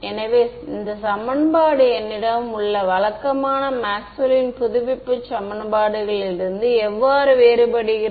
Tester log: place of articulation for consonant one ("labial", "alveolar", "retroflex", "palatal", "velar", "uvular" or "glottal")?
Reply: alveolar